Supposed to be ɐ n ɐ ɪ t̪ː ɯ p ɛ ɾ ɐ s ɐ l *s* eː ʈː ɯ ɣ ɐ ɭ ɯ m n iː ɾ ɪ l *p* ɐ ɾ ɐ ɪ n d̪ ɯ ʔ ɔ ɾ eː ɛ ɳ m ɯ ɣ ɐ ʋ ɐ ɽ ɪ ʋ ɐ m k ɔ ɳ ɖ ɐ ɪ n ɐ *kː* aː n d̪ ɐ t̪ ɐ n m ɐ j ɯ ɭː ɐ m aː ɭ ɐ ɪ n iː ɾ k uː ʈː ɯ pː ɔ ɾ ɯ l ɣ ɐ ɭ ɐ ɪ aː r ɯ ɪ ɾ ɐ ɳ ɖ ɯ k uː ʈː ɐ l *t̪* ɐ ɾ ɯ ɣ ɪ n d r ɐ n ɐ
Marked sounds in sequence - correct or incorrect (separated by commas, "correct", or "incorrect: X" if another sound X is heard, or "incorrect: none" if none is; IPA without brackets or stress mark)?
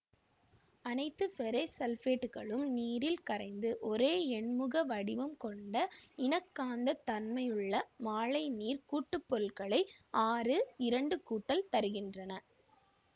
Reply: incorrect: f, incorrect: k, correct, correct